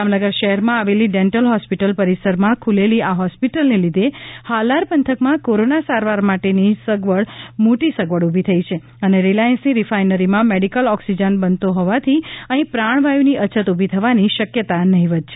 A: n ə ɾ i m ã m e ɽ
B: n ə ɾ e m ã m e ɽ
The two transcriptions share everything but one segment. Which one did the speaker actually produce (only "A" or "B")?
A